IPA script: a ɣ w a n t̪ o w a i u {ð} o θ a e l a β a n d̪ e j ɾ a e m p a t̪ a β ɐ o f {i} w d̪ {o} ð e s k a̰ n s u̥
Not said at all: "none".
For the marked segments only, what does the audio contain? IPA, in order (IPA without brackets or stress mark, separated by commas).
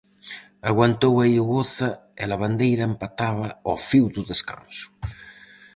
ɣ, i, u